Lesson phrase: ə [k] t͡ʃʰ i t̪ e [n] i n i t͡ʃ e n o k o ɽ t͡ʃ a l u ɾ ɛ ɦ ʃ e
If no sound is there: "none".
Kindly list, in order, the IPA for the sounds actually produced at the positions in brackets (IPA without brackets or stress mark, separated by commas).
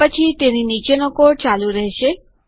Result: none, n